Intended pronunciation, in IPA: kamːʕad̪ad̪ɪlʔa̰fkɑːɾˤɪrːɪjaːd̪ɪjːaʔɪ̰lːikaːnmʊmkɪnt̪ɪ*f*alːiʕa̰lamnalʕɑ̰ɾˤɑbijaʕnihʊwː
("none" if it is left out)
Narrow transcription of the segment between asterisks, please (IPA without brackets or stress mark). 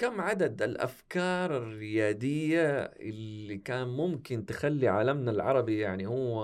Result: x